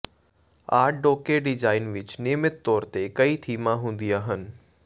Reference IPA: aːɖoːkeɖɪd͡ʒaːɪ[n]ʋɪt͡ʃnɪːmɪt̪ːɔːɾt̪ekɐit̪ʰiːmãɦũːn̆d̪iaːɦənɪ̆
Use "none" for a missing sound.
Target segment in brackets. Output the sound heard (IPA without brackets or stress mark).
n